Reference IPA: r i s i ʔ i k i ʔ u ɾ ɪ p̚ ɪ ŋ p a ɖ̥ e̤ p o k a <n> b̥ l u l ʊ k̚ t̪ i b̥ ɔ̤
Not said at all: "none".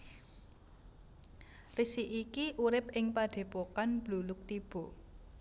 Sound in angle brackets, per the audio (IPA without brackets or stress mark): n